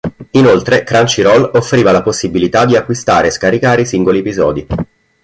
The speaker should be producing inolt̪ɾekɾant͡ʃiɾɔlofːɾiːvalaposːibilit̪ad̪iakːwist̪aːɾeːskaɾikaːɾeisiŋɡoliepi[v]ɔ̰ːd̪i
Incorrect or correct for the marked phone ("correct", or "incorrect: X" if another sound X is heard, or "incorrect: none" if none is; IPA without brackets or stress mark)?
incorrect: z